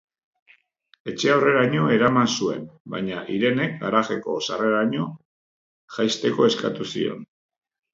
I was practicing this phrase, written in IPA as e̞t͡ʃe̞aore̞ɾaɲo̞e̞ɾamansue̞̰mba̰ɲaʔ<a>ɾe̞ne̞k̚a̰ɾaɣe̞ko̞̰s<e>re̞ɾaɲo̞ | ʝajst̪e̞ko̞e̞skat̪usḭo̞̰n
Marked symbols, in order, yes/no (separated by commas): no, no